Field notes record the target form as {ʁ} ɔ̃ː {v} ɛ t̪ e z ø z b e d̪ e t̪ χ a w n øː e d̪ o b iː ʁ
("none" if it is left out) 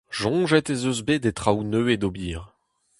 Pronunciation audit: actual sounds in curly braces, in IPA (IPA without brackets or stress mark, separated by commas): ʒ, ʒ